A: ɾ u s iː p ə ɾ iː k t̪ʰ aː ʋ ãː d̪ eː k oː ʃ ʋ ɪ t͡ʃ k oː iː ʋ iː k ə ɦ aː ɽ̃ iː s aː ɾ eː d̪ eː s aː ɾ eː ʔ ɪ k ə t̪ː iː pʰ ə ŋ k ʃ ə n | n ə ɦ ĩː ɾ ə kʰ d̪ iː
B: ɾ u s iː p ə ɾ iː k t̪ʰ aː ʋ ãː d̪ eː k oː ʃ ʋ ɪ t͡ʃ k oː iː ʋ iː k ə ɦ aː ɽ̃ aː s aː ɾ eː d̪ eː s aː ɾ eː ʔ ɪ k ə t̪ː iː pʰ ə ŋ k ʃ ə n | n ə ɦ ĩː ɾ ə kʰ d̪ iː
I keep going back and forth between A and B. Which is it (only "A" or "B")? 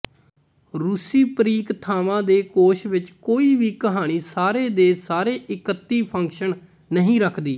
A